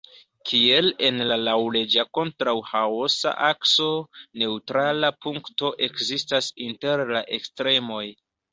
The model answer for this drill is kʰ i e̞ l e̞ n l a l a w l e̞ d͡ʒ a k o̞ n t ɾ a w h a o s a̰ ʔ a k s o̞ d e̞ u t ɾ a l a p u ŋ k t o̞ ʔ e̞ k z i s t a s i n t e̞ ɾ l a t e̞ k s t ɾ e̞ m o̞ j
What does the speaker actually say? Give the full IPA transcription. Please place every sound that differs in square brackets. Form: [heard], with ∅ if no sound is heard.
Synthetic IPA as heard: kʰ i e̞ l e̞ n l a l a w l e̞ d͡ʒ a k o̞ n t ɾ a w h a o s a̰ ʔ a k s o̞ [n] e̞ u t ɾ a l a p u ŋ k t o̞ ʔ e̞ k z i s t a s i n t e̞ ɾ l a [ʔ] e̞ k s t ɾ e̞ m o̞ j